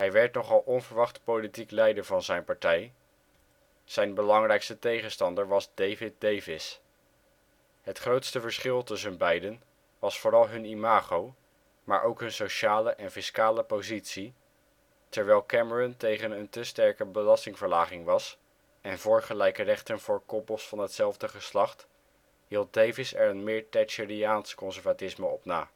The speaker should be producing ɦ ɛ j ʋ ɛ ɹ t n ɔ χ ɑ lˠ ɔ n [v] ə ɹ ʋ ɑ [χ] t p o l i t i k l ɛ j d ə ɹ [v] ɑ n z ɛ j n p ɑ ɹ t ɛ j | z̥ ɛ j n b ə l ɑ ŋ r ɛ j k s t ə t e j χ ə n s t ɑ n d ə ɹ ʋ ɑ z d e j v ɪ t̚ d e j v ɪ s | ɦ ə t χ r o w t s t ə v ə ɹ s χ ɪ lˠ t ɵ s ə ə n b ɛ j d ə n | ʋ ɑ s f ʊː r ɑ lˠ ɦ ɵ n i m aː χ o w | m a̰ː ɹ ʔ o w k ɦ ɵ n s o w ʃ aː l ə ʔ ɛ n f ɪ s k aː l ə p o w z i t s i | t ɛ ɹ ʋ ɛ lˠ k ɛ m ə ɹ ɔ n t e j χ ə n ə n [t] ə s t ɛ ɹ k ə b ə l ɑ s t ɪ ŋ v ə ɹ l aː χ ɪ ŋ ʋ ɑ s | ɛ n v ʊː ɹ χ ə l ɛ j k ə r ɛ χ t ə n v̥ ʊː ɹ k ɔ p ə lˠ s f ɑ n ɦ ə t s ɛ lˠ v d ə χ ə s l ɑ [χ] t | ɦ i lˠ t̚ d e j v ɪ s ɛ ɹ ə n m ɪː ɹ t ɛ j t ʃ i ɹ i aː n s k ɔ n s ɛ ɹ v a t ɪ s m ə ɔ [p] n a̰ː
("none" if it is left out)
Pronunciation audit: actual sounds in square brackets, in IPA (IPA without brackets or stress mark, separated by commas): v, χ, v, t, χ, p